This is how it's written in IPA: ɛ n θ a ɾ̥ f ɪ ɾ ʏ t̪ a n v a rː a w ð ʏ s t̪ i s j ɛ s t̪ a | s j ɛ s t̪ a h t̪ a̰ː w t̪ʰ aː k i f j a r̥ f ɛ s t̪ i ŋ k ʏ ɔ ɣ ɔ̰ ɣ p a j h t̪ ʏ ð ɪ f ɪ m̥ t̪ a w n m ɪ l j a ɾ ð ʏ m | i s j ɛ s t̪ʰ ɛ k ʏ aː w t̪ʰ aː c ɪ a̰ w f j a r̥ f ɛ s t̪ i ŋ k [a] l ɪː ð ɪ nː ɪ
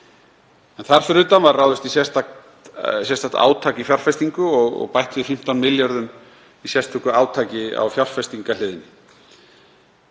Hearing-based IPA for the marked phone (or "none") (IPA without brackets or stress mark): a